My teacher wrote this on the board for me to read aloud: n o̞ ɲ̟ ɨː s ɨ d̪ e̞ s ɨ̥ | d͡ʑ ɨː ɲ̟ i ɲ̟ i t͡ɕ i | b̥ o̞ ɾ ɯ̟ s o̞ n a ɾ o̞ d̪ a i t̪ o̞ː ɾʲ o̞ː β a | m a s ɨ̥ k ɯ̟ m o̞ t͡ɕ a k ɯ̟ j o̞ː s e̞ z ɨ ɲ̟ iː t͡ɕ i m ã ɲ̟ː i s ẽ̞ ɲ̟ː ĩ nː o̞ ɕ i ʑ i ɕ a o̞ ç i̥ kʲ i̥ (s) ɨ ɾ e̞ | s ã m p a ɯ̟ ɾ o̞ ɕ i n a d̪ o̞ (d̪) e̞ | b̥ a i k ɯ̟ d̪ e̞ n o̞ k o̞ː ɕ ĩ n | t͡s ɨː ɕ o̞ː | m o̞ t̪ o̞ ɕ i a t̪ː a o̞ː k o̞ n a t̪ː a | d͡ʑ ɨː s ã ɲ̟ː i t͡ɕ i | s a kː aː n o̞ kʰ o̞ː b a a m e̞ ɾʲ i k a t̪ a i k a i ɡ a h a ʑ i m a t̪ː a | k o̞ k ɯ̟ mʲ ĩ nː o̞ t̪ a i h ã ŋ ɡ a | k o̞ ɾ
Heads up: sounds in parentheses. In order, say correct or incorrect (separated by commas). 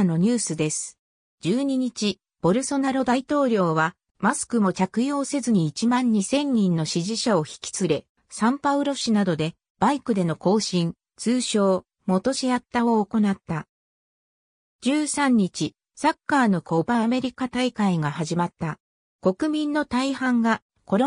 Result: incorrect, correct